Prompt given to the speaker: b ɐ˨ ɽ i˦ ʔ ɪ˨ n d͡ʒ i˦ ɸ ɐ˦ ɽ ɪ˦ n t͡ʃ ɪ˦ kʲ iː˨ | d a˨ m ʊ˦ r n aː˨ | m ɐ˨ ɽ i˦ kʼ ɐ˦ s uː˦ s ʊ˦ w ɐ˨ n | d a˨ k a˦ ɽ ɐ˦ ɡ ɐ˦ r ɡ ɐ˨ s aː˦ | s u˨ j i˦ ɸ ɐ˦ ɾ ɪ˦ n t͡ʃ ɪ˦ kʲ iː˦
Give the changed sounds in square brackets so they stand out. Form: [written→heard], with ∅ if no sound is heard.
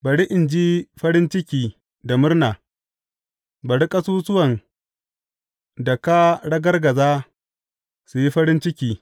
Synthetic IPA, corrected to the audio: b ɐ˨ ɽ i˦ ʔ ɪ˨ n d͡ʒ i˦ ɸ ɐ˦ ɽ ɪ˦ n t͡ʃ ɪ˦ kʲ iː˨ | d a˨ m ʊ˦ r n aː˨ | [m→b] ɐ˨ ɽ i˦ kʼ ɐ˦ s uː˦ s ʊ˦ w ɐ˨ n | d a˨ k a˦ ɽ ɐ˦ ɡ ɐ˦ r ɡ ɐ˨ [s→z] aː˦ | s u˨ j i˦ ɸ ɐ˦ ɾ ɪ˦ n t͡ʃ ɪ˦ kʲ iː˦